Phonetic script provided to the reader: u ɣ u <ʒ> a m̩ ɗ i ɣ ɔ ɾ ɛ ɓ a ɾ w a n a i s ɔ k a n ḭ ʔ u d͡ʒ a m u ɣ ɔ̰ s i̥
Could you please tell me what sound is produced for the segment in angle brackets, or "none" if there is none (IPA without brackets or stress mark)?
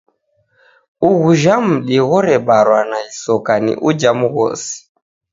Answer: ʒ